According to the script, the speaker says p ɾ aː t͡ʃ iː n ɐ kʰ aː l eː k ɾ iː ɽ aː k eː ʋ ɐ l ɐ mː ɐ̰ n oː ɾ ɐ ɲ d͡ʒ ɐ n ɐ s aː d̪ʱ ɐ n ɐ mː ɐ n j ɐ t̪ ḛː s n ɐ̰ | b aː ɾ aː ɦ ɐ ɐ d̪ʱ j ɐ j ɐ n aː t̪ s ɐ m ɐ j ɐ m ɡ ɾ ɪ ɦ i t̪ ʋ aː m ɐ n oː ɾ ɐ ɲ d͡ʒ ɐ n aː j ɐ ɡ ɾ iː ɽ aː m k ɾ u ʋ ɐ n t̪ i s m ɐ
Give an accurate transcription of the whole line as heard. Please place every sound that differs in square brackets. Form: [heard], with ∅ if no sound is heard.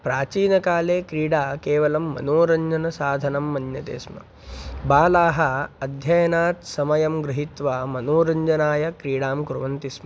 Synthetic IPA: p ɾ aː t͡ʃ iː n ɐ [k] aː l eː k ɾ iː ɽ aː k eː ʋ ɐ l ɐ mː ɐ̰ n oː ɾ ɐ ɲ d͡ʒ ɐ n ɐ s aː d̪ʱ ɐ n ɐ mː ɐ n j ɐ t̪ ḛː s [m] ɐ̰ | b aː [l] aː ɦ ɐ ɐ d̪ʱ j ɐ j ɐ n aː t̪ s ɐ m ɐ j ɐ m ɡ ɾ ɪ ɦ i t̪ ʋ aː m ɐ n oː ɾ ɐ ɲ d͡ʒ ɐ n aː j ɐ [k] ɾ iː ɽ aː m k ɾ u ʋ ɐ n t̪ i s m ɐ